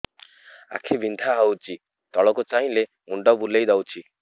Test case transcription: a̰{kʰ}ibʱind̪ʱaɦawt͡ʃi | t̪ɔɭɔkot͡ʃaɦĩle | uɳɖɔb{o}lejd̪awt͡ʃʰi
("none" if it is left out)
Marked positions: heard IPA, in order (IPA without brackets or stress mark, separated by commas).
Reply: kʰ, u